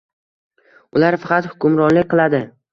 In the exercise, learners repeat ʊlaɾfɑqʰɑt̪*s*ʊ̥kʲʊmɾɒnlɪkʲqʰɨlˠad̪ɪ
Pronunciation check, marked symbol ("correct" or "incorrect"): incorrect